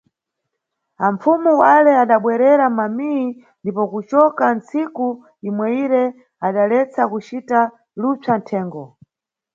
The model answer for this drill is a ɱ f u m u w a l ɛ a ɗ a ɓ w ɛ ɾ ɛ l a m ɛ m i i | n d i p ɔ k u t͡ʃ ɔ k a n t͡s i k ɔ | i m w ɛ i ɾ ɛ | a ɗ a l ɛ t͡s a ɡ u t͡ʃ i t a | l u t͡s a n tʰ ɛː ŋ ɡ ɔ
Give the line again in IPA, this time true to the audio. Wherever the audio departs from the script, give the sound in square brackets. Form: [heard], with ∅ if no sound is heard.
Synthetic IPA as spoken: a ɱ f u m u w a l ɛ a ɗ a ɓ w ɛ ɾ ɛ [ɾ] a m [a] m i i | n d i p ɔ k u t͡ʃ ɔ k a n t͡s i k [u] | i m w ɛ i ɾ ɛ | a ɗ a l ɛ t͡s a [k] u t͡ʃ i t a | l u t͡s a n tʰ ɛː ŋ ɡ ɔ

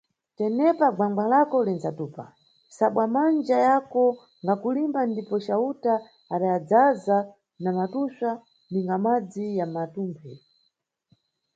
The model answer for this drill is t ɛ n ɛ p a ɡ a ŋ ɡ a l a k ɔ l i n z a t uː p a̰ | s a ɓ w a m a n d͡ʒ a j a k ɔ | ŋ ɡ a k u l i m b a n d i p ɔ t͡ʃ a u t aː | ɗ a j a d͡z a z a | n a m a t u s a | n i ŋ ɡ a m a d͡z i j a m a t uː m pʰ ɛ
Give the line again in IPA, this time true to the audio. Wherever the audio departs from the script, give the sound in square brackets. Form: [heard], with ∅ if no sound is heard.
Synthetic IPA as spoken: t ɛ n ɛ p a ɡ a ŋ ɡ a l a k ɔ l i n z a t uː p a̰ | s a ɓ w a m a n d͡ʒ a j a k ɔ | ŋ ɡ a k u l i m b a n d i p ɔ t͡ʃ a u t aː | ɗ a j a d͡z a z a | n a m a t u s a | n i ŋ ɡ a m a d͡z i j a m a t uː m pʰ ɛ

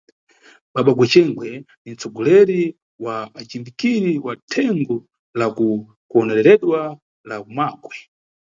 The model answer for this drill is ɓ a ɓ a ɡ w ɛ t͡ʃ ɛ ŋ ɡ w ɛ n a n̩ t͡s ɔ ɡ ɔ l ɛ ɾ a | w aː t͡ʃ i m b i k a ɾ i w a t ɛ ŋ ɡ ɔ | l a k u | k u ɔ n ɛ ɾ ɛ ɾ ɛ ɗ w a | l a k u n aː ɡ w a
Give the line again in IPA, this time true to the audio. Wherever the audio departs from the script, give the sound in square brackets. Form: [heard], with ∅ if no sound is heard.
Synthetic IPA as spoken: ɓ a ɓ a ɡ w ɛ t͡ʃ ɛ ŋ ɡ w ɛ n [i] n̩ t͡s ɔ ɡ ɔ l ɛ ɾ [i] | w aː t͡ʃ i m b i k [i] ɾ i w a [tʰ] ɛ ŋ ɡ ɔ | l a k u | k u ɔ n ɛ ɾ ɛ ɾ ɛ ɗ w a | l a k u [m] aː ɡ w [ɛ]

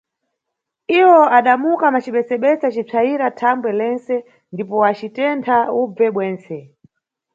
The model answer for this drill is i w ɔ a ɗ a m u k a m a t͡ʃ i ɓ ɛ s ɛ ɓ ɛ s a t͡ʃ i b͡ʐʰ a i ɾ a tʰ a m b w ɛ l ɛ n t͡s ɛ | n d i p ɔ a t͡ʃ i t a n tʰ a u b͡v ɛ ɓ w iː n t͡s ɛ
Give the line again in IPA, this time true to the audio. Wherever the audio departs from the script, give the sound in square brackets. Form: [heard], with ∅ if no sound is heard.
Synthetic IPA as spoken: i w ɔ a ɗ a m u k a m a t͡ʃ i ɓ ɛ s ɛ ɓ ɛ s a t͡ʃ i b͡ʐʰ a i ɾ a tʰ a m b w ɛ l ɛ n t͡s ɛ | n d i p ɔ a t͡ʃ i t [ɛ] n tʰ a u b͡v ɛ ɓ w [ɛː] n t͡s ɛ

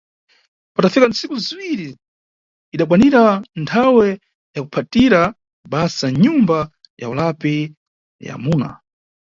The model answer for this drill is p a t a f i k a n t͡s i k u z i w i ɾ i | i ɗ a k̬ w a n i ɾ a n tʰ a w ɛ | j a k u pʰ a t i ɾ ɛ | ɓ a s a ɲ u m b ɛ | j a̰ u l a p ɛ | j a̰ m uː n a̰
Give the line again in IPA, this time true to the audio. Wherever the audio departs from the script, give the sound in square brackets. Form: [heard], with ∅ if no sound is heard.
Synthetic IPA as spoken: p a t a f i k a n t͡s i k u z i w i ɾ i | i ɗ a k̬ w a n i ɾ a n tʰ a w ɛ | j a k u pʰ a t i ɾ [a] | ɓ a s a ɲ u m b [a] | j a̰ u l a p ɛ | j a̰ m uː n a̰

